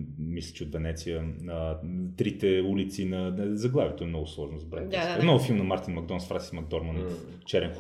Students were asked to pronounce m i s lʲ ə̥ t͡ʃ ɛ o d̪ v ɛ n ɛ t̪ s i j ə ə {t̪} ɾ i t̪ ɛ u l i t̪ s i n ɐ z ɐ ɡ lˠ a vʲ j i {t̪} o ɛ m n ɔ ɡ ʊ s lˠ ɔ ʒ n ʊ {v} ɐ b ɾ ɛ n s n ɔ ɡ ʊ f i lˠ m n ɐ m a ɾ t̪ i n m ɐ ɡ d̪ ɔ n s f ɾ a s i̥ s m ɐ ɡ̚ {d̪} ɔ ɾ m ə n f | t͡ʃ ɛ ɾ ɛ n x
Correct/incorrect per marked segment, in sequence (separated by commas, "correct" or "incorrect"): correct, correct, incorrect, correct